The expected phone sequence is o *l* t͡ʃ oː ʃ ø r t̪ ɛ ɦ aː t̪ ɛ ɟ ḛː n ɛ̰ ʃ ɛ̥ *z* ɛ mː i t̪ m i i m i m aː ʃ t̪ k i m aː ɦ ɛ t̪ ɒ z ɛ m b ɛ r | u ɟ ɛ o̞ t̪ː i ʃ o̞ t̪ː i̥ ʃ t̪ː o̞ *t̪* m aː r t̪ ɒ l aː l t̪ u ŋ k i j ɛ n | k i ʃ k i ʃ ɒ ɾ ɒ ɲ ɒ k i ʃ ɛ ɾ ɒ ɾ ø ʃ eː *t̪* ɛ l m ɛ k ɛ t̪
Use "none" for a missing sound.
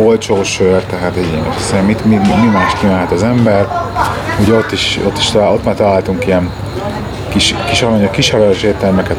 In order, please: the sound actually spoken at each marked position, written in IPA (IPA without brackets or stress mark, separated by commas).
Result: l, s, t̪, t̪